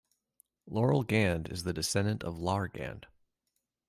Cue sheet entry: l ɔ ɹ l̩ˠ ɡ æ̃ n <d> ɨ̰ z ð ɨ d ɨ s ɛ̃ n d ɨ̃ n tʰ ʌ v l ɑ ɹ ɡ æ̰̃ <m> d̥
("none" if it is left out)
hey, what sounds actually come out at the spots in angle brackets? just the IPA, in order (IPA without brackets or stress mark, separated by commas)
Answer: d, n